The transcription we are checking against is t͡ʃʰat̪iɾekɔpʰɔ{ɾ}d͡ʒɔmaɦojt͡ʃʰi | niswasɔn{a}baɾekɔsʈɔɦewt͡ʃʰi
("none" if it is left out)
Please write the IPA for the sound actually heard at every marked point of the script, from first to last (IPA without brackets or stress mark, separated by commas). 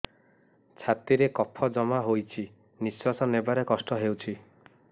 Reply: none, e